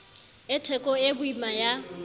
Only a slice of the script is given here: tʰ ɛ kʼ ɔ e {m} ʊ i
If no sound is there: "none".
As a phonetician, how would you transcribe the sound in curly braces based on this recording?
b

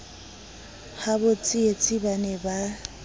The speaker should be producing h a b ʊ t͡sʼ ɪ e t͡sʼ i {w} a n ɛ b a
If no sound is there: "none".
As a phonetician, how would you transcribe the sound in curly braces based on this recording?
b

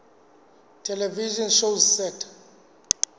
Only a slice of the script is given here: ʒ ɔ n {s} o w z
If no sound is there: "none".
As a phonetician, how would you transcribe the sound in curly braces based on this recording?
ʃ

